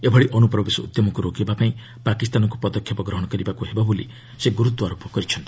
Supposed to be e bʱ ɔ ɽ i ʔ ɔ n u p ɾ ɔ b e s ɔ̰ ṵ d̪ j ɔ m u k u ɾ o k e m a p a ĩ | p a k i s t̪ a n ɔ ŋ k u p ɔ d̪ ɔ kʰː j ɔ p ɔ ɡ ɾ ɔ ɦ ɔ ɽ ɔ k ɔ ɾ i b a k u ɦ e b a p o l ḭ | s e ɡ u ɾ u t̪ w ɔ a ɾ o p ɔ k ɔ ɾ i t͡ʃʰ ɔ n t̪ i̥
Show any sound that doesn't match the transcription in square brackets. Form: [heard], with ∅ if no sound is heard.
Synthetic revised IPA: e bʱ ɔ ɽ i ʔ ɔ n u p ɾ ɔ b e s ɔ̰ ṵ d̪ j ɔ m [ɔ] k u ɾ o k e [b] a p a ĩ | p a k i s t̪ a n ɔ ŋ k u p ɔ d̪ ɔ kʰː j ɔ p ɔ ɡ ɾ ɔ ɦ ɔ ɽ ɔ k ɔ ɾ i b a k u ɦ e b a [b] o l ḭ | s e ɡ u ɾ u t̪ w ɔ a ɾ o p ɔ k ɔ ɾ i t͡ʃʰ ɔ n t̪ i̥